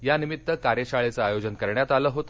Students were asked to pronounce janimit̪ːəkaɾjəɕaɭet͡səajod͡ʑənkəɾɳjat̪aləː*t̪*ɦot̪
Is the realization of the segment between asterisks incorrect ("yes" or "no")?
yes